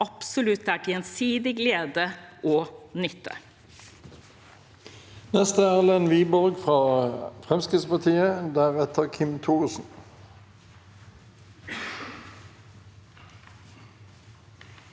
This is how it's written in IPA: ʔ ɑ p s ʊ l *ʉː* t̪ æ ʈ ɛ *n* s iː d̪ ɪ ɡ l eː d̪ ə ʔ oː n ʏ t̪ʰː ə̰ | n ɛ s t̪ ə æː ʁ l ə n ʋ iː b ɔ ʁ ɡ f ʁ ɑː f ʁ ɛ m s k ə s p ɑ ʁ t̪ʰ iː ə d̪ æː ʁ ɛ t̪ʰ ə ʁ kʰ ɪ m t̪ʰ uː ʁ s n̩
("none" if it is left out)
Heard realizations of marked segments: ʉ, n

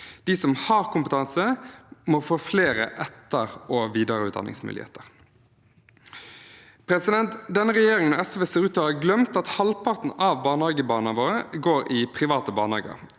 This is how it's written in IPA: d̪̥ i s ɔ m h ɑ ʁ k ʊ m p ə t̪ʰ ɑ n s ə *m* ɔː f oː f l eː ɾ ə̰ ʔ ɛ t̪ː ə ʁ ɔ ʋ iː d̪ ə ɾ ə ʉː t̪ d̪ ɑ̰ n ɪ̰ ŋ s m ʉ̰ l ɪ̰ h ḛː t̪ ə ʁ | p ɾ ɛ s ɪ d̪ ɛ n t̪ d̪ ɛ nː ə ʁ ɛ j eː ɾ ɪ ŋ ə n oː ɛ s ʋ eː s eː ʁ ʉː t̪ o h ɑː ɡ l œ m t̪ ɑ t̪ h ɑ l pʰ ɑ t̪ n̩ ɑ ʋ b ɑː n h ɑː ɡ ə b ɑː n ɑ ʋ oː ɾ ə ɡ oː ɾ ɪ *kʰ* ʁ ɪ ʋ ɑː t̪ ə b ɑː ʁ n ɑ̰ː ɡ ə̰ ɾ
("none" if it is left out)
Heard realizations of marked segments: m, pʰ

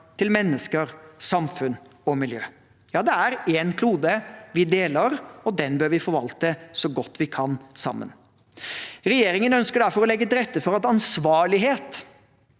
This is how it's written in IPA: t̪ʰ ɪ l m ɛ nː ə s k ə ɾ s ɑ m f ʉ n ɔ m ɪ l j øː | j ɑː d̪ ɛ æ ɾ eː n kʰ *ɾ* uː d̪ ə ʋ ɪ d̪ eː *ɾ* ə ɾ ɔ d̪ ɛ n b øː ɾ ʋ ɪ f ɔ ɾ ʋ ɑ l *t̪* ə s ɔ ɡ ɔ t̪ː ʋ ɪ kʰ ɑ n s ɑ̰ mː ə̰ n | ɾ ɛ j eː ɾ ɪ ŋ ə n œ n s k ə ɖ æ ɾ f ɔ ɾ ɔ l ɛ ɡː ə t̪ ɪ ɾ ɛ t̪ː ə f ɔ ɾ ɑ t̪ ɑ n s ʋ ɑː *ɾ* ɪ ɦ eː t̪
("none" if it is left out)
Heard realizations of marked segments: l, l, t̪, ɭ

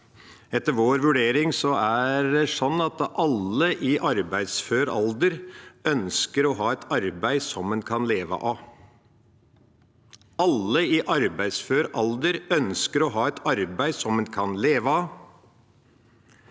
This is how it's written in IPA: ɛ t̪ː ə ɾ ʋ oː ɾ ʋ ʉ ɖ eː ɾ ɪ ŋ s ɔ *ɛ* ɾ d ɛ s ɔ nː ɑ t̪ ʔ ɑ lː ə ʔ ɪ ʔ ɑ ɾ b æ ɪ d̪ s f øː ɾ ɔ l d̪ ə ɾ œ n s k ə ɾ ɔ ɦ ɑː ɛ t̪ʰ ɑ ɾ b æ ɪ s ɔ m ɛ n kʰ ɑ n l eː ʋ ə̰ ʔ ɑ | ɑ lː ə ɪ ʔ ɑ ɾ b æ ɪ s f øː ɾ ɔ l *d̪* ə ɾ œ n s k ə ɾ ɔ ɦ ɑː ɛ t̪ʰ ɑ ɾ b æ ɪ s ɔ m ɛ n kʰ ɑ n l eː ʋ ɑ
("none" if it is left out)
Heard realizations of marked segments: æ, d̪

